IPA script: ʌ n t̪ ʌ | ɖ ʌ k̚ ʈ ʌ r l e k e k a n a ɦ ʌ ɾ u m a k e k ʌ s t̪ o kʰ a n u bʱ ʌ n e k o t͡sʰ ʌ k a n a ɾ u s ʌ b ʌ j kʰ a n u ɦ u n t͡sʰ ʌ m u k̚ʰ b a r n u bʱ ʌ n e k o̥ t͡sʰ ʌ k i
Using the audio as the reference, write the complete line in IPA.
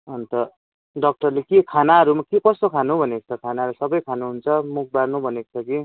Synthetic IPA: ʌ n t̪ ʌ | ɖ ʌ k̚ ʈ ʌ r l e k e kʰ a n a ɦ ʌ ɾ u m a k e k ʌ s t̪ o kʰ a n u bʱ ʌ n e k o t͡sʰ ʌ kʰ a n a ɾ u s ʌ b ʌ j kʰ a n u ɦ u n t͡sʰ ʌ m u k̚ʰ b a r n u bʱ ʌ n e k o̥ t͡sʰ ʌ k i